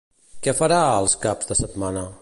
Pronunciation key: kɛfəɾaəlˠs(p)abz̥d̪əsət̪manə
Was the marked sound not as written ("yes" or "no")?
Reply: yes